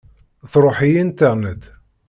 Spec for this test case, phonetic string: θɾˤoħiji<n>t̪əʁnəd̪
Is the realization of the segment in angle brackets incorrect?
no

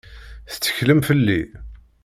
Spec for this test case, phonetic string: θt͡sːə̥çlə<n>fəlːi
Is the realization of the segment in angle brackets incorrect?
yes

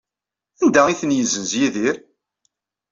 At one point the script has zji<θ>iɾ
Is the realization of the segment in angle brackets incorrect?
yes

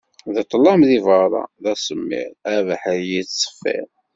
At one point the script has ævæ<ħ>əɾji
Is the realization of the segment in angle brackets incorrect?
no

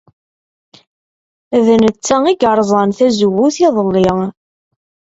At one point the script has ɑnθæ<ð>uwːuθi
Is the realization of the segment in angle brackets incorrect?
yes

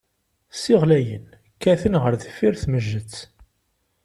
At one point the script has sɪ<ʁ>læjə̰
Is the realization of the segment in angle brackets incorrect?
no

